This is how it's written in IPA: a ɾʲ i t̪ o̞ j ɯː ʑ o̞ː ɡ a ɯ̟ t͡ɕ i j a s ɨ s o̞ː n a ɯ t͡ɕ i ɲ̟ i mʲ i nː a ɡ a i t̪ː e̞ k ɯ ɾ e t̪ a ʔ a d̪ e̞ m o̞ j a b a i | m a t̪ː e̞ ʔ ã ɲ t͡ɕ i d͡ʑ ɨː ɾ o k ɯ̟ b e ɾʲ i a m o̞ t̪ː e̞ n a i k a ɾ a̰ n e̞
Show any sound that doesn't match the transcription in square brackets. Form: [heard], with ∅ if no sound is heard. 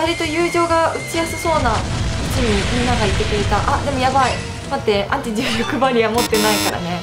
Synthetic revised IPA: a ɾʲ i t̪ o̞ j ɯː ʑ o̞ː ɡ a ɯ̟ t͡ɕ i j a s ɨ s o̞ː n a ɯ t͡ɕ i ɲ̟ i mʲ i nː a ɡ a i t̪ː e̞ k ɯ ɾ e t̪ a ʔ a d̪ e̞ m o̞ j a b a i | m a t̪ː e̞ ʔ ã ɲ t͡ɕ i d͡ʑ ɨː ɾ o k ɯ̟ b [a] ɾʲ i a m o̞ t̪ː e̞ n a i k a ɾ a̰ n e̞